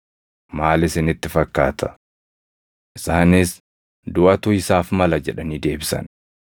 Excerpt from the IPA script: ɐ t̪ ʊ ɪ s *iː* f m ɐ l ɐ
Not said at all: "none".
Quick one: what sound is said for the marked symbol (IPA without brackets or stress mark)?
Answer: aː